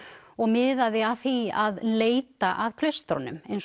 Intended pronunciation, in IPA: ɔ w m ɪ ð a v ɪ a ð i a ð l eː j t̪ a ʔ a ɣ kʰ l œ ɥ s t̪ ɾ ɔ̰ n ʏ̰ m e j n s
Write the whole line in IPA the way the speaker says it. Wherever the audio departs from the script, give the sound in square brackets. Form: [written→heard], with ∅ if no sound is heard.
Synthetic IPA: ɔ [w→ɣ] m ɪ ð a [v→ð] ɪ a [ð→θ] i a ð l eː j t̪ a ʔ a [ɣ→ð] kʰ l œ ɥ s t̪ ɾ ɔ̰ n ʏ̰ m e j n s